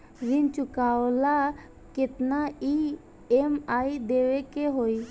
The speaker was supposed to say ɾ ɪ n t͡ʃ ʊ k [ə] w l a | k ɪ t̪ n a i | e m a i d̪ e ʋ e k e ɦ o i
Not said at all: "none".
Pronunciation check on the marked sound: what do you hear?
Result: a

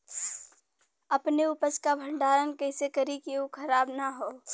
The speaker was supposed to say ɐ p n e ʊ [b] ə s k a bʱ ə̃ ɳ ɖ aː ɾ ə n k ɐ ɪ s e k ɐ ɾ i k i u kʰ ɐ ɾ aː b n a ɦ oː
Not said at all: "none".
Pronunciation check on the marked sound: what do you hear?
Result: p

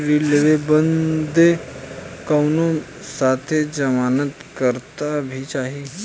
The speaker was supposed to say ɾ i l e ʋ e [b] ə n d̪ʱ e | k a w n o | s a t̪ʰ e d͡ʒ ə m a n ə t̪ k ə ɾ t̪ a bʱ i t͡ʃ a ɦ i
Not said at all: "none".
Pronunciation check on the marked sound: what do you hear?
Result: b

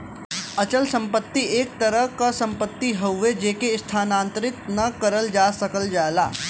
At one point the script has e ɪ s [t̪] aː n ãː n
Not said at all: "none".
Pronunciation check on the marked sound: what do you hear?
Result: t̪ʰ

